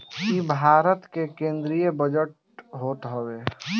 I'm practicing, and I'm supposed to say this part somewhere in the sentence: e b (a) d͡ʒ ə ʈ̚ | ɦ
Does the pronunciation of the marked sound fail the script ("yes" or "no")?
yes